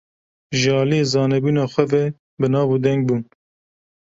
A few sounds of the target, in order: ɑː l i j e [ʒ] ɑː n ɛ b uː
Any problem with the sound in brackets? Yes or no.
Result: yes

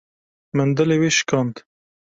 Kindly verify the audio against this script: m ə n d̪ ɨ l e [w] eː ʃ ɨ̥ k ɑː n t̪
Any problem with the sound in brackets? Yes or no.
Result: no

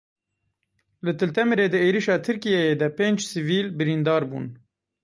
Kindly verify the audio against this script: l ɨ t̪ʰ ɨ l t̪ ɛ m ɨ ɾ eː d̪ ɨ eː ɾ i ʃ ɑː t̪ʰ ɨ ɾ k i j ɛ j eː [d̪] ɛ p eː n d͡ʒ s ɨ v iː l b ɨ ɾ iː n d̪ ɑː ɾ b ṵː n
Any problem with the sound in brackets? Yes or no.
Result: no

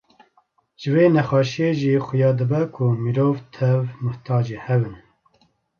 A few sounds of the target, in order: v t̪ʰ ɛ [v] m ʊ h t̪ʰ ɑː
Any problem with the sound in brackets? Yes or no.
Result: no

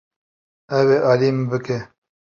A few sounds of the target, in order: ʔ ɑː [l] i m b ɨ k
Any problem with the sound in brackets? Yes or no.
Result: no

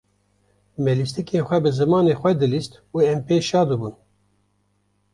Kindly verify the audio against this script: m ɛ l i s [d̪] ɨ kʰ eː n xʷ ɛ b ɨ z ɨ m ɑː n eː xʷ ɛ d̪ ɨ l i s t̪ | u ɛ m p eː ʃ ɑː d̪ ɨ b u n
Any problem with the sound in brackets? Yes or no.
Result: yes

